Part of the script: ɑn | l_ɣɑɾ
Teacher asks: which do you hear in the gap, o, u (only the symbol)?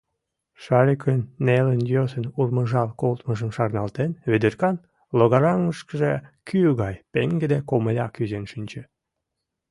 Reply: o